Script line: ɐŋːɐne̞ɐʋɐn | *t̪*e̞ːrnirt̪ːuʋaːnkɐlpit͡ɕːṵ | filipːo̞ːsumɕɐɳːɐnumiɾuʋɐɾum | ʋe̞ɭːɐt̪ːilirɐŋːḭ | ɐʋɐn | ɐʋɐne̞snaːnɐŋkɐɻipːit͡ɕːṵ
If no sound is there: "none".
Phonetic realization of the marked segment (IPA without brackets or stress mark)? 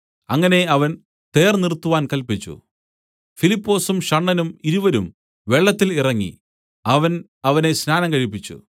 t̪